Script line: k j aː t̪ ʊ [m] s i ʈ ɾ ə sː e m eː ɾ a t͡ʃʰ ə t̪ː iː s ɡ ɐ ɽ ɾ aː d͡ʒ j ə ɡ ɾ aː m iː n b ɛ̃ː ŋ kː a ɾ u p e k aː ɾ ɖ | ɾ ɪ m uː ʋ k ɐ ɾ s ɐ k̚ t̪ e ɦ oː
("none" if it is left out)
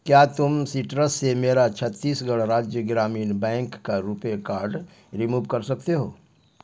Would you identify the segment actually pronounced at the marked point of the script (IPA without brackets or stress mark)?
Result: m